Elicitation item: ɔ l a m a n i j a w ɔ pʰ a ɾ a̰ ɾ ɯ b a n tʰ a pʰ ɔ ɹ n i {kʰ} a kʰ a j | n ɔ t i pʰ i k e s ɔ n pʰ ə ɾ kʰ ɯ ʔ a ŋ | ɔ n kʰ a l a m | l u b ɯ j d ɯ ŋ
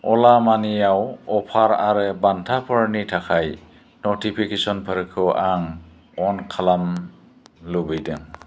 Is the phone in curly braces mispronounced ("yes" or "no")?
yes